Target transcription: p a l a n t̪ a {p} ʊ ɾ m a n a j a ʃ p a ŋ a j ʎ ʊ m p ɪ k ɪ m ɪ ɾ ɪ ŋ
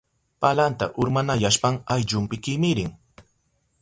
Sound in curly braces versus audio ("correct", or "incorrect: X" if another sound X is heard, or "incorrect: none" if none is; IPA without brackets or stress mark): incorrect: ʔ